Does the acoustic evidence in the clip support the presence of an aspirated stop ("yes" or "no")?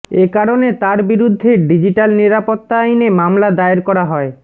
no